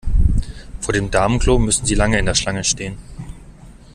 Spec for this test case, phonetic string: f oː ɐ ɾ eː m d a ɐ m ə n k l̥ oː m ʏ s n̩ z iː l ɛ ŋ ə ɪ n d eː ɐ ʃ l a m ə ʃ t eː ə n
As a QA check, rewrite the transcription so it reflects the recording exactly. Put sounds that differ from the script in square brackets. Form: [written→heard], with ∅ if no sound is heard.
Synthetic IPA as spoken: f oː ɐ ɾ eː m d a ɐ m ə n k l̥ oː m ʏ s n̩ z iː l [ɛ→a] ŋ ə ɪ n d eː ɐ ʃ l a [m→ŋ] ə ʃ t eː ə n